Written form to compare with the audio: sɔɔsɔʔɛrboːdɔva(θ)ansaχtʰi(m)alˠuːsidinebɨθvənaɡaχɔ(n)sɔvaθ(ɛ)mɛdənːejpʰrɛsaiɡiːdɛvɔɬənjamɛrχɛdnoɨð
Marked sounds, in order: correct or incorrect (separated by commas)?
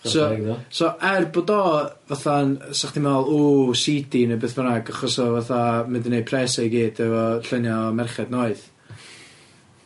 correct, correct, incorrect, incorrect